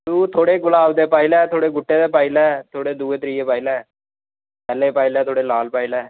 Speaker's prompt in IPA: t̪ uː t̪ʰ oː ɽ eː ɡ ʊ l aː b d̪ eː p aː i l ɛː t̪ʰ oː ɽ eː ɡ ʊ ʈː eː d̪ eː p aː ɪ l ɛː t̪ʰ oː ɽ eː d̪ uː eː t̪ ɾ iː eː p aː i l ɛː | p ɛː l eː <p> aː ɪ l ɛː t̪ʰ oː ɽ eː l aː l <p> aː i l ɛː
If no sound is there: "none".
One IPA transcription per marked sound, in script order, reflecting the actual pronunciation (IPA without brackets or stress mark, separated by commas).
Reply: p, p